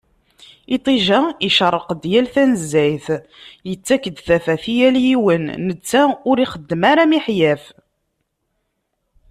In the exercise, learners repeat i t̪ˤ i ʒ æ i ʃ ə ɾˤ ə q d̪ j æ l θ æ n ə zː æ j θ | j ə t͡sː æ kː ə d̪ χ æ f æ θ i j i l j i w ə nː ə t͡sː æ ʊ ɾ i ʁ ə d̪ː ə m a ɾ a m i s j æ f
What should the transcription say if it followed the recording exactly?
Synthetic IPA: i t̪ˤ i ʒ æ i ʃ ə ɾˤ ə q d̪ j æ l θ æ n ə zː æ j θ | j ə t͡sː æ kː ə d̪ θ æ f æ θ i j æ l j i w ə nː ə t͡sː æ ʊ ɾ i χ ə d̪ː ə m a ɾ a m i ħ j æ f